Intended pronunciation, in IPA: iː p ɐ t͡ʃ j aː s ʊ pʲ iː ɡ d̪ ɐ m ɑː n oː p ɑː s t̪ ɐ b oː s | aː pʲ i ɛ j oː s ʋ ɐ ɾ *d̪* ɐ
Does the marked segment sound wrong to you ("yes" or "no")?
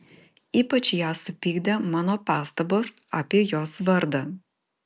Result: no